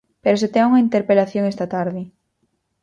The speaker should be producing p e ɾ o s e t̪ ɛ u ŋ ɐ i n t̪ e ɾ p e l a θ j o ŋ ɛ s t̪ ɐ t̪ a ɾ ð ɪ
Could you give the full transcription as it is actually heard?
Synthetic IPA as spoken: p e ɾ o s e t̪ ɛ u ŋ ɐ i n t̪ e ɾ p e l a θ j o ŋ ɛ s t̪ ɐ t̪ a ɾ ð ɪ